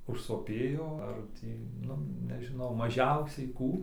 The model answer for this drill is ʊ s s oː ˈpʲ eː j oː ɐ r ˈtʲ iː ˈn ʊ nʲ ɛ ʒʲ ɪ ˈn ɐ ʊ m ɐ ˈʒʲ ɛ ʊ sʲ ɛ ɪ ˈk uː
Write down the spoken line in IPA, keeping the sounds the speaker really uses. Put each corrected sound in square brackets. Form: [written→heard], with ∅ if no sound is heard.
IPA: ʊ [s→ʃ] s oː ˈpʲ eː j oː ɐ r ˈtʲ iː ˈn ʊ nʲ ɛ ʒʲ ɪ ˈn ɐ ʊ m ɐ ˈʒʲ ɛ ʊ sʲ ɛ ɪ ˈk uː